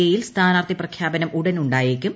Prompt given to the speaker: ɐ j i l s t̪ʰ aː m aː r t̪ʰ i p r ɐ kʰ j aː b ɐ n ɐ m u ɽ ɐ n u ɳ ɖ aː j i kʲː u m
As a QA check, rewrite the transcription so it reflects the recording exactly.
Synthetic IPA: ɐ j i l s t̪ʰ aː n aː r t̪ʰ i p r ɐ kʰ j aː b ɐ n ɐ m u ɽ ɐ n u ɳ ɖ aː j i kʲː u m